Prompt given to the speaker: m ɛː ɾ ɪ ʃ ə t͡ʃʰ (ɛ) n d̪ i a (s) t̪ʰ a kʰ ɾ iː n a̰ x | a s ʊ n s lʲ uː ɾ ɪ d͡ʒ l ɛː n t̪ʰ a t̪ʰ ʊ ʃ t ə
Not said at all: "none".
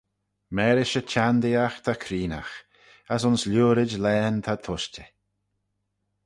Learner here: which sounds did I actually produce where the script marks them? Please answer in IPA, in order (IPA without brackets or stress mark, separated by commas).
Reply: a, x